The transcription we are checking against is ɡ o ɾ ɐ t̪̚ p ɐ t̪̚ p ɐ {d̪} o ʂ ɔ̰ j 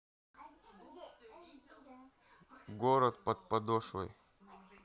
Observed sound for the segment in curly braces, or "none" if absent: d̪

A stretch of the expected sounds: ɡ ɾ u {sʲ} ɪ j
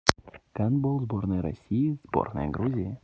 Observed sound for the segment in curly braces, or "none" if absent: zʲ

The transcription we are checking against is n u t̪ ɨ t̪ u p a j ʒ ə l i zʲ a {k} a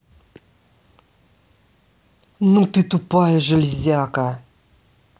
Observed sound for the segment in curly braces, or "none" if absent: k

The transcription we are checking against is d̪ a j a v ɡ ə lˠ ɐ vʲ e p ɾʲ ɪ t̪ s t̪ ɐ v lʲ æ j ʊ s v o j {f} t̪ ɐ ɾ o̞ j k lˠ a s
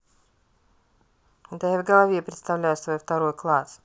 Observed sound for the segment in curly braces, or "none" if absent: f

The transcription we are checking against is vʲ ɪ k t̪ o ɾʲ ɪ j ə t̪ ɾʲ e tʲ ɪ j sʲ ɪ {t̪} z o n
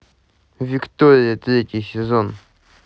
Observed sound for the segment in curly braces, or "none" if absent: none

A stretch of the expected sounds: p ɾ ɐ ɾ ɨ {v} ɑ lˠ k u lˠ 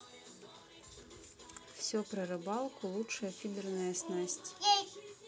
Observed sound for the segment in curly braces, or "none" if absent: b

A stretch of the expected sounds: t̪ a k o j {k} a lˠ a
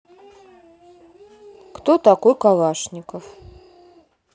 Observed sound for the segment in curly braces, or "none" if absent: k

